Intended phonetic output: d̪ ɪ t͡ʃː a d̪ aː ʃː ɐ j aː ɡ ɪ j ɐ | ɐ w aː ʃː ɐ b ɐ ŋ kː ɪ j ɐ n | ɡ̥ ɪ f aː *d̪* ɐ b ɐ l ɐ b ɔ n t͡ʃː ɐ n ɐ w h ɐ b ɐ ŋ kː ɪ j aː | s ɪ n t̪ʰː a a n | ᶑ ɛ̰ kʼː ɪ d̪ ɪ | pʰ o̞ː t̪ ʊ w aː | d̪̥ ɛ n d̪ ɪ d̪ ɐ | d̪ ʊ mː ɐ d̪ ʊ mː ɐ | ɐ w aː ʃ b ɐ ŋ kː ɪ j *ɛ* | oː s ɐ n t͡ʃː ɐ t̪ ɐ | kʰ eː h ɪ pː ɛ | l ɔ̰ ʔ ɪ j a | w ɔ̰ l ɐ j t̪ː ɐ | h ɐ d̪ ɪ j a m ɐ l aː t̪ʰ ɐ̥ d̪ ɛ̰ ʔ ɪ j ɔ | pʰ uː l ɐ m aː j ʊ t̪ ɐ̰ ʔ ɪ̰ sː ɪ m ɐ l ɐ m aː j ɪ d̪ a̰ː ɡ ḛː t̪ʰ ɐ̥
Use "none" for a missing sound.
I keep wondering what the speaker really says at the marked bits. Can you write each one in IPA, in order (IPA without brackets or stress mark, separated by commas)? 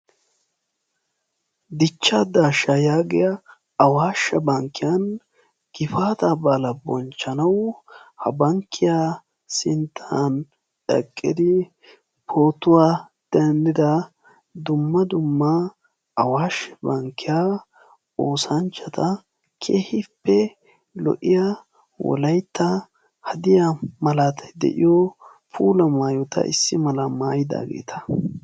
t̪, a